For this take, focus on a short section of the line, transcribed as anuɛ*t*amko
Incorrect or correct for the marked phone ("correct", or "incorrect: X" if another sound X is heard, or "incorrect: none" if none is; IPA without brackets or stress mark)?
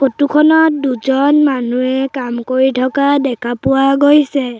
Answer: incorrect: k